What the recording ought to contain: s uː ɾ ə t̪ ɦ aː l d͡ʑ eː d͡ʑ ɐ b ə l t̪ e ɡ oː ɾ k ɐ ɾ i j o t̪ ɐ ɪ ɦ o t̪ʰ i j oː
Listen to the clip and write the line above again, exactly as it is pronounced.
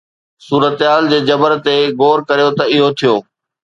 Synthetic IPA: s uː ɾ ə t̪ ɦ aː l d͡ʑ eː d͡ʑ ɐ b ə ɾ t̪ e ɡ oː ɾ k ɐ ɾ i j o t̪ ɐ ɪ ɦ o t̪ʰ i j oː